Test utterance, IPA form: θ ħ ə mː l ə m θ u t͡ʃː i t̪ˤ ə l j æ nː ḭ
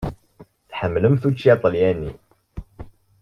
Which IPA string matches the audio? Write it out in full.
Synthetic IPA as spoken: θ ħ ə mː l ə m θ u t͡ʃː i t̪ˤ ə l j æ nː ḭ